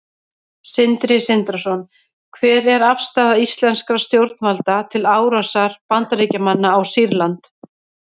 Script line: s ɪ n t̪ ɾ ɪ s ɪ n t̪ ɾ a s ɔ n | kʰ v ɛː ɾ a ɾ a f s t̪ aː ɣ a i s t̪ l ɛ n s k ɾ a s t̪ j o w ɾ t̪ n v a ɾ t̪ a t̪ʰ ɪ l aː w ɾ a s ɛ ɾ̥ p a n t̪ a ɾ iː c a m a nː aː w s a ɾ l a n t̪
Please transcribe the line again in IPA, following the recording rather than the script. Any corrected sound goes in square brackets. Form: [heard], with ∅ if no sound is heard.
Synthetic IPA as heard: s ɪ n t̪ ɾ ɪ s ɪ n t̪ ɾ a s ɔ n | kʰ v ɛː ɾ [ɛ] ɾ a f s t̪ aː [ð] a i s t̪ l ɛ n s k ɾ a s t̪ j o w ɾ t̪ n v a [l] t̪ a t̪ʰ ɪ l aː w ɾ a s [a] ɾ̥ p a n t̪ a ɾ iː c a m a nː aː w s [i] ɾ l a n t̪